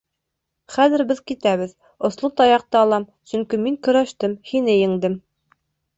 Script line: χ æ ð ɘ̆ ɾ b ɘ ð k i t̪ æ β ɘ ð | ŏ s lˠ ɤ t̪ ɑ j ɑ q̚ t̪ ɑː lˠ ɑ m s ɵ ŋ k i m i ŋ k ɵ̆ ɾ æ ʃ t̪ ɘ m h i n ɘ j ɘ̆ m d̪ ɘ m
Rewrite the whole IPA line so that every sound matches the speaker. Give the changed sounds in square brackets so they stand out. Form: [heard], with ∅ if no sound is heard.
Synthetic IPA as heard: χ æ ð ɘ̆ ɾ b ɘ ð k i t̪ æ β ɘ ð | ŏ s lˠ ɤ t̪ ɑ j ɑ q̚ t̪ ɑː lˠ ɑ m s ɵ ŋ k i m i ŋ k ɵ̆ ɾ æ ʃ t̪ ɘ m h i n ɘ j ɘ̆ [ŋ] d̪ ɘ m